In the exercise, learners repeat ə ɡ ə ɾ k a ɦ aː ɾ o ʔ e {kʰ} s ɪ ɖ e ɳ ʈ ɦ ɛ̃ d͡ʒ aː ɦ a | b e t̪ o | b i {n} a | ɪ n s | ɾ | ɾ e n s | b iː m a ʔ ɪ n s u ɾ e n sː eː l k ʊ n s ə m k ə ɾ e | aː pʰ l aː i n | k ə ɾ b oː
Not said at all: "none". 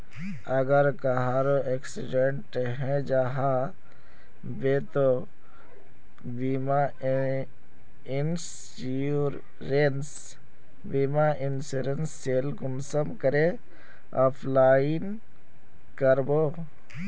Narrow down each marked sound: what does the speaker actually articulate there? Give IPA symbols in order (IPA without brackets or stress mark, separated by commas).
k, m